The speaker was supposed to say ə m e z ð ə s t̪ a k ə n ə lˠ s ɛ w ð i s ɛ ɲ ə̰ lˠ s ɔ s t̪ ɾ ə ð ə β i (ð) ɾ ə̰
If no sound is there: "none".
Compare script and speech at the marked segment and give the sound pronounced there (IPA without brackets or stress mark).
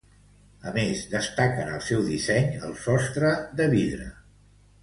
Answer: ð